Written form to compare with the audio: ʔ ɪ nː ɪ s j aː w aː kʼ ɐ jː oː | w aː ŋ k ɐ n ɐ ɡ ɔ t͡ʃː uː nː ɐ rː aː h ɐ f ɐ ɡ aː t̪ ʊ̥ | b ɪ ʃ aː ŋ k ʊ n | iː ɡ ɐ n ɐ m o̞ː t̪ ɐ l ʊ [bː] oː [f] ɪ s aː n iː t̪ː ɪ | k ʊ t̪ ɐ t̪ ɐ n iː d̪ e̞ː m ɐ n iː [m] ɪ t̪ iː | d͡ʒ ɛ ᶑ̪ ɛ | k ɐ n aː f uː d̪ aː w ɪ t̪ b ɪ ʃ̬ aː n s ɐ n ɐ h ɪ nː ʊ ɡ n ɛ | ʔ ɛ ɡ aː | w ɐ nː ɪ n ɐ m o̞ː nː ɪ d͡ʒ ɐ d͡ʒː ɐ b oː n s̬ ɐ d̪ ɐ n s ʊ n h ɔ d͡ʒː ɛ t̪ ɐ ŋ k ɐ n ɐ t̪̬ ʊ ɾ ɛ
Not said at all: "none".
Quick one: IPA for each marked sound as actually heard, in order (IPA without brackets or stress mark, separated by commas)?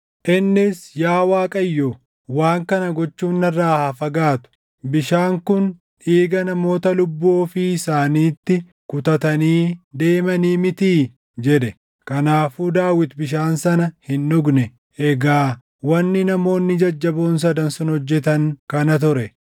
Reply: bː, f, m